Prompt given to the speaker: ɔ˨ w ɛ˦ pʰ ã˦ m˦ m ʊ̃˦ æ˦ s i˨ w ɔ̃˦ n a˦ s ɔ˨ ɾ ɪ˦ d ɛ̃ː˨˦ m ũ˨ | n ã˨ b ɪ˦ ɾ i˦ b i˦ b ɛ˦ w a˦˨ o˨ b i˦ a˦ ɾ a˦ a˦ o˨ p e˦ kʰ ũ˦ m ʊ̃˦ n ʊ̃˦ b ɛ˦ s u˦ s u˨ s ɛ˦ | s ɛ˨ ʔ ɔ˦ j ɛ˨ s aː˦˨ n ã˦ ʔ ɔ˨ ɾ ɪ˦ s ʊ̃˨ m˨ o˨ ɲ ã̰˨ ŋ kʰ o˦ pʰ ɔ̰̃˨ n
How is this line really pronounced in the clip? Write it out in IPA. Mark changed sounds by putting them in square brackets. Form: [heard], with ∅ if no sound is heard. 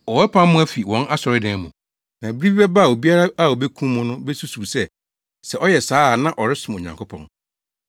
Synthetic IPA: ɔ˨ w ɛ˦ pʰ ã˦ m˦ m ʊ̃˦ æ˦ [f] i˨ w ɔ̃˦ n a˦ s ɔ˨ ɾ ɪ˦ d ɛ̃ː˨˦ m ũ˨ | n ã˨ b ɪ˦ ɾ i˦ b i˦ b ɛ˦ [b] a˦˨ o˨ b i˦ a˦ ɾ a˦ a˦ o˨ [b] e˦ kʰ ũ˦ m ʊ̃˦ n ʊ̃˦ b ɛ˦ s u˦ s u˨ s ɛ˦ | s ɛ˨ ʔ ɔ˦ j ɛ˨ s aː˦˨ n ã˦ ʔ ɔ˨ ɾ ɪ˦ s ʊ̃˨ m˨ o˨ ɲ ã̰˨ ŋ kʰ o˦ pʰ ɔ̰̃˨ n